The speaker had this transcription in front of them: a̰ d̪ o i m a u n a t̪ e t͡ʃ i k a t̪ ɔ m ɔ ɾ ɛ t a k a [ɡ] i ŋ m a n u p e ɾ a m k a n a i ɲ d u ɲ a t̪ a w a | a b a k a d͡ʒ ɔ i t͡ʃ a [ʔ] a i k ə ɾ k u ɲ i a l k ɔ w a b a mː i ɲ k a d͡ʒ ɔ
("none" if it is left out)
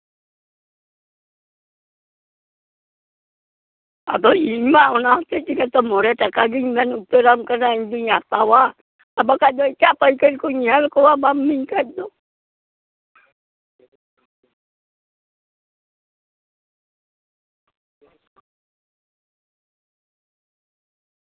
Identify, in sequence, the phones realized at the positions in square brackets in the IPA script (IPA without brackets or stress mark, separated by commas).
ɡ, p